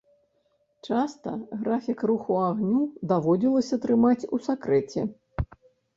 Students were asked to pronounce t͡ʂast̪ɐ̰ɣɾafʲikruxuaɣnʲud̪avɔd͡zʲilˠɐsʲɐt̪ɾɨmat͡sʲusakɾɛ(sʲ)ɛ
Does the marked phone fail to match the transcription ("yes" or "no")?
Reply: yes